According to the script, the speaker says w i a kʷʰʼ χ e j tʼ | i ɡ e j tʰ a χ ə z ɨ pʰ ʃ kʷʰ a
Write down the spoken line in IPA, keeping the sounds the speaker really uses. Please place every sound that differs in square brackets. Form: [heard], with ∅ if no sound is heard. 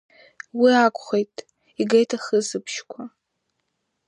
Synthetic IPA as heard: w i a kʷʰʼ χ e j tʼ | i ɡ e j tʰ a χ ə z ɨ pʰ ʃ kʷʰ a